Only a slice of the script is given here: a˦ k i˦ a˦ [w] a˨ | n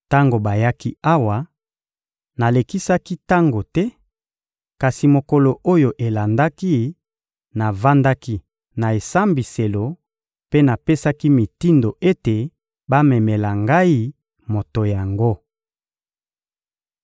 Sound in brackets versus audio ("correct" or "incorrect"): correct